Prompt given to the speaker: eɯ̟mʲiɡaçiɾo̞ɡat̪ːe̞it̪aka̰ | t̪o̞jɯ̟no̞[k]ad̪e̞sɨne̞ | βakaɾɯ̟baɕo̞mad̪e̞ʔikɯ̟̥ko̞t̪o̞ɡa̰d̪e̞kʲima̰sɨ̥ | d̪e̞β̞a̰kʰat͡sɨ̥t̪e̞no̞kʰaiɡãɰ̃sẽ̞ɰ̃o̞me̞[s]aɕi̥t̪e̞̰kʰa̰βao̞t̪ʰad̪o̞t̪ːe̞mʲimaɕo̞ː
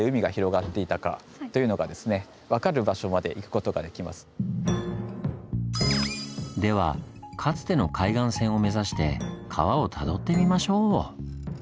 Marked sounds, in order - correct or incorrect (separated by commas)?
incorrect, incorrect